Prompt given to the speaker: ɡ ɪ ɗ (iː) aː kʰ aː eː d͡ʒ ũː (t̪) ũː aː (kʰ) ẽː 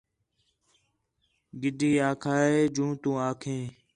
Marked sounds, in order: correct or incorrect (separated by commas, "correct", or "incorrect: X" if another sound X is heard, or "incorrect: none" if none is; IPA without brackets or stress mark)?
correct, correct, correct